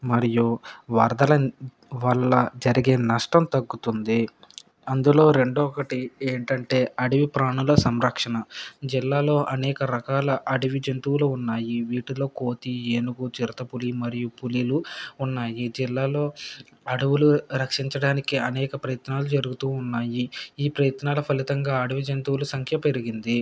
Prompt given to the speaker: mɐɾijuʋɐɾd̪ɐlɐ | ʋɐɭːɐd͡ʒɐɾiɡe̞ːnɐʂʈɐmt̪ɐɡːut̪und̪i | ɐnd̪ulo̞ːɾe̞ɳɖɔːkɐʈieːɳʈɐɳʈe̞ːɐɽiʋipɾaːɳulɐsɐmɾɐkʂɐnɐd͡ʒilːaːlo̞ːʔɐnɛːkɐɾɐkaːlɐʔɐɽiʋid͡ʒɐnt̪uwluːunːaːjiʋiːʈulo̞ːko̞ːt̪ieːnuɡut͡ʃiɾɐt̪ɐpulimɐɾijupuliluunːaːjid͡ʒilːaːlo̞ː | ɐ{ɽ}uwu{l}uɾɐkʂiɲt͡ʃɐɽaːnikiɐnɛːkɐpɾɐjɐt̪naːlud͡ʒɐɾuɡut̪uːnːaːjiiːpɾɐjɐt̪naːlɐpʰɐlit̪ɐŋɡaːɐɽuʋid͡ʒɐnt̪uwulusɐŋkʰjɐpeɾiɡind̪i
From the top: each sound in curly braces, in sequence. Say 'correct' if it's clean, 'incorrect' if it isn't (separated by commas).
correct, correct